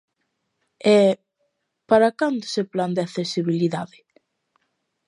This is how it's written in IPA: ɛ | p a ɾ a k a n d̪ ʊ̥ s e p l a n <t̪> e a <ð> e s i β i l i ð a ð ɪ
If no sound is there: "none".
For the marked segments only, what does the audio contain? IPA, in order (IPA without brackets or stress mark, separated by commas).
d̪, θ